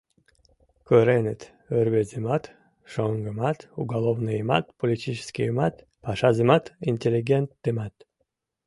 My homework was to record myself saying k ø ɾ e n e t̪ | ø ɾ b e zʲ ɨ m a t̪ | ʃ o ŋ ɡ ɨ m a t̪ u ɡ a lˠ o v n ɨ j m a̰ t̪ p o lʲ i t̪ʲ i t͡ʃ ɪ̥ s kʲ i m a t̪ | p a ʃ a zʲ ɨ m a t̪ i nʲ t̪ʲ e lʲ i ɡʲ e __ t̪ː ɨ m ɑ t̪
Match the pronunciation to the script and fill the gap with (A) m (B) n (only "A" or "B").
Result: B